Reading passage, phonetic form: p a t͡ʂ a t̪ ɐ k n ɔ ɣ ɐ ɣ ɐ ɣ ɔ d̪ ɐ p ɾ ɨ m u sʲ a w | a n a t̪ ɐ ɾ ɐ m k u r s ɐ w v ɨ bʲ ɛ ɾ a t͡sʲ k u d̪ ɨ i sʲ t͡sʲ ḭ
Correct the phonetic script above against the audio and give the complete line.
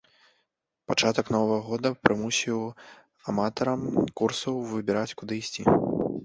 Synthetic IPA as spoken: p a t͡ʂ a t̪ ɐ k n ɔ v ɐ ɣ ɐ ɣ ɔ d̪ ɐ p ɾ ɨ m u sʲ i w | a m a t̪ ɐ ɾ ɐ m k u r s ɐ w v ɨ bʲ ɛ ɾ a t͡sʲ k u d̪ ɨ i sʲ t͡sʲ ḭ